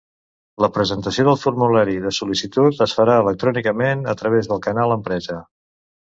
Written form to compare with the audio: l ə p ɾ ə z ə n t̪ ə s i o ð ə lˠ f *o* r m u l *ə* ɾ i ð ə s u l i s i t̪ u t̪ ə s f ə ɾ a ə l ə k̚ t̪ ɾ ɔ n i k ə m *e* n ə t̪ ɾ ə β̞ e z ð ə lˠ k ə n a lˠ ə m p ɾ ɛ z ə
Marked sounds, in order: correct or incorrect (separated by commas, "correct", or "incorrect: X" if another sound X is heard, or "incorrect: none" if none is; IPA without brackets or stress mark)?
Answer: incorrect: u, incorrect: a, correct